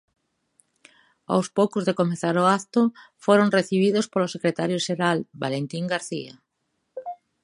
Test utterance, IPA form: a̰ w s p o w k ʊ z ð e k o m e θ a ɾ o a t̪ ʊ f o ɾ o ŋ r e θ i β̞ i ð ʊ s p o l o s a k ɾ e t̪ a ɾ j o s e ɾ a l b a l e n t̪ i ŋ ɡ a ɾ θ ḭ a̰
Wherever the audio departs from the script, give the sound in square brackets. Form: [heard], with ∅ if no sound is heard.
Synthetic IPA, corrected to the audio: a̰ w s p o w k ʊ z ð e k o m e θ a ɾ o a t̪ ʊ f o ɾ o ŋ r e θ i β̞ i ð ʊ s p o l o s [e] k ɾ e t̪ a ɾ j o [ʃ] e ɾ a l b a l e n t̪ i ŋ ɡ a ɾ θ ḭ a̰